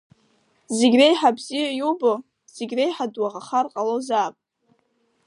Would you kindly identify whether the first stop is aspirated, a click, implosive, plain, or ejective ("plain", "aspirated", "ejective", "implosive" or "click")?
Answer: plain